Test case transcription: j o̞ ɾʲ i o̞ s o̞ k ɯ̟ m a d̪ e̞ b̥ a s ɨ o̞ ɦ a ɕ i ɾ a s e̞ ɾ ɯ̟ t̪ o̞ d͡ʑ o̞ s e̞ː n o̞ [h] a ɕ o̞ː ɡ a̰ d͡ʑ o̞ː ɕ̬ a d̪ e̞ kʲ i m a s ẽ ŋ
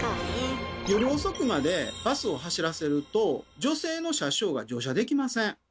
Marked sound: incorrect: ɕ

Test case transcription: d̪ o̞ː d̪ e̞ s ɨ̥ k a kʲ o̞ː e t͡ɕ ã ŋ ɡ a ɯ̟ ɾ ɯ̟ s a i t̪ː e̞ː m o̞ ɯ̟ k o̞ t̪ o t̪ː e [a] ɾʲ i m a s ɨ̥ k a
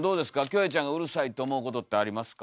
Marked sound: correct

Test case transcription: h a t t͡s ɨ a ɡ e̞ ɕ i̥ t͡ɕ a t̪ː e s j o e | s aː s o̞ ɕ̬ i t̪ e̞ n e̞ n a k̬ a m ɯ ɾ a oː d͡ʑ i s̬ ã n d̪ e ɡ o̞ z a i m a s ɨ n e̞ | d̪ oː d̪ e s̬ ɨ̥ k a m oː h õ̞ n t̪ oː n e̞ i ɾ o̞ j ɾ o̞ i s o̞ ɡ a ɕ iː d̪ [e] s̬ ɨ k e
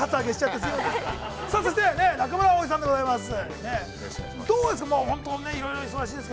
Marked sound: correct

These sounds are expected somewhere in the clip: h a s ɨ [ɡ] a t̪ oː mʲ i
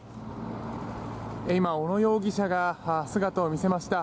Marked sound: correct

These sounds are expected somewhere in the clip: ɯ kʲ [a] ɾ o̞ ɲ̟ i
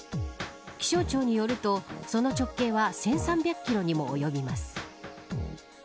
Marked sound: incorrect: i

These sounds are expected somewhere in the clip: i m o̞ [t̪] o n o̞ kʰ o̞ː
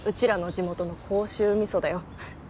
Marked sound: correct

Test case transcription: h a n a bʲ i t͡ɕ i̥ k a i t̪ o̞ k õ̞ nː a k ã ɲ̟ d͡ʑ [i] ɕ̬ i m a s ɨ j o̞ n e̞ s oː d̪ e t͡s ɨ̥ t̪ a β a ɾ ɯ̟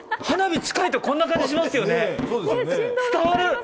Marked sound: correct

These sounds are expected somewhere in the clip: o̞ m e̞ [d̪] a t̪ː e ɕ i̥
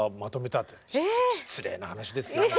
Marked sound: incorrect: t̪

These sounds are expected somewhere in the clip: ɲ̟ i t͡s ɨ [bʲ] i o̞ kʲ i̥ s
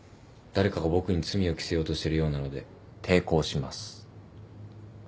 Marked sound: incorrect: mʲ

